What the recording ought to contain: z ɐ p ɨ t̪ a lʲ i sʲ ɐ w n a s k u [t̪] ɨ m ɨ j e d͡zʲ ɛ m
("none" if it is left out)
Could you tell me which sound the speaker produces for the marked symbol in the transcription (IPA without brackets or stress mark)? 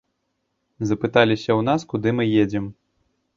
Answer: d̪